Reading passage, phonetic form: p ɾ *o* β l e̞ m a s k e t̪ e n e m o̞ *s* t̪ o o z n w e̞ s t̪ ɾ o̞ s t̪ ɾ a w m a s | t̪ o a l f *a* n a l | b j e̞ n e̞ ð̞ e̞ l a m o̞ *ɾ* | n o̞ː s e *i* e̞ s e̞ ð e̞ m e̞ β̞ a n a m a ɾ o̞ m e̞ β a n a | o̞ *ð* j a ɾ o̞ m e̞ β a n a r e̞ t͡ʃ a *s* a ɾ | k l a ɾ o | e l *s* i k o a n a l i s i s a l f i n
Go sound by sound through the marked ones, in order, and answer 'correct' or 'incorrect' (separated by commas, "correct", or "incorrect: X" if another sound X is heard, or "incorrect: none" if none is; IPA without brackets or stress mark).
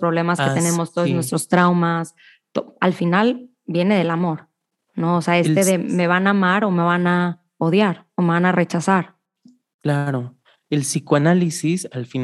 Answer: correct, correct, incorrect: i, correct, incorrect: a, correct, correct, correct